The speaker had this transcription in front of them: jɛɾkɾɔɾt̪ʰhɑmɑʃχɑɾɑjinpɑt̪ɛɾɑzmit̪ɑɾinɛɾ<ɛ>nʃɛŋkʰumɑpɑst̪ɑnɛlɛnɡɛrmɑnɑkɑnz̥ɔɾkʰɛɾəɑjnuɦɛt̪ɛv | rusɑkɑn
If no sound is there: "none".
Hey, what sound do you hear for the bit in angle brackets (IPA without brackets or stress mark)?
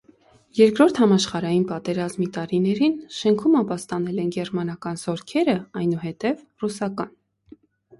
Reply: i